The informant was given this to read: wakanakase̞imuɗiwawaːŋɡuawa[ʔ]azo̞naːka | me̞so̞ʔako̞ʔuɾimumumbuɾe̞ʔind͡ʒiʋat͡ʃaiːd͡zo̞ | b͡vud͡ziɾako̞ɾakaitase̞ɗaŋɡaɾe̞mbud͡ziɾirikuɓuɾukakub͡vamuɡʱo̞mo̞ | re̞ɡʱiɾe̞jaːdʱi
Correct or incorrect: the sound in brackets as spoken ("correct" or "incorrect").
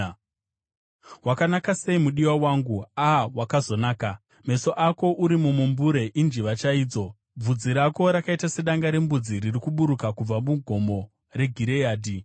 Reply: incorrect